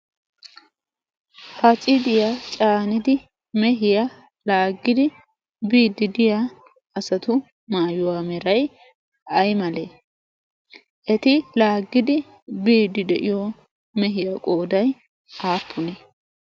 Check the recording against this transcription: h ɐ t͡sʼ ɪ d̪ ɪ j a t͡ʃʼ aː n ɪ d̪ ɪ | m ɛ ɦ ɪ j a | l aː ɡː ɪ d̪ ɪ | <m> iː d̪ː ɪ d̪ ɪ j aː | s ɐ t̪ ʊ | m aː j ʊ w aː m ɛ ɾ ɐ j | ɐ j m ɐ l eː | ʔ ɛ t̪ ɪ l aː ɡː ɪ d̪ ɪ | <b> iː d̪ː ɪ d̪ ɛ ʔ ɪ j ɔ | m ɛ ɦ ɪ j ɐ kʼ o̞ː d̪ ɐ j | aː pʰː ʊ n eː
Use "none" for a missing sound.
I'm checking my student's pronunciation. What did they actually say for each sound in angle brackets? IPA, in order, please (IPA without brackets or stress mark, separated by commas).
b, b